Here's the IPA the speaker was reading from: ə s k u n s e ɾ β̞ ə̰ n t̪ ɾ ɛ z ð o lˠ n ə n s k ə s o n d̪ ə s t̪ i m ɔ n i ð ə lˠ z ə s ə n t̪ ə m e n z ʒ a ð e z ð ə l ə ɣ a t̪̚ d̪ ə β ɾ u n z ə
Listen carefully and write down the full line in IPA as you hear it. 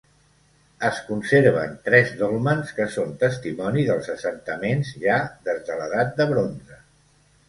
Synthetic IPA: ə s k u n s e ɾ β̞ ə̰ n t̪ ɾ ɛ z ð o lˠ m ə n s k ə s o n t̪ ə s t̪ i m ɔ n i ð ə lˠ z ə s ə n t̪ ə m e n z ʒ a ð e z ð ə l ə ð a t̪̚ d̪ ə β ɾ o n z ə